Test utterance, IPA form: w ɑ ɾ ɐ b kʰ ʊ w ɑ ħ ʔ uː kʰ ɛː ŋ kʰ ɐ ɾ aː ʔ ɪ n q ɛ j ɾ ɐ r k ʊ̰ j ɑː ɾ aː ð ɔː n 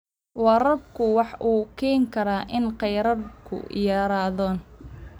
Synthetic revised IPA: w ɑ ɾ ɐ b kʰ ʊ w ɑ ħ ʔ uː kʰ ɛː ŋ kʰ ɐ ɾ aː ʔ ɪ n q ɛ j ɾ ɐ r kʰ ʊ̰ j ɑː ɾ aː ð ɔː n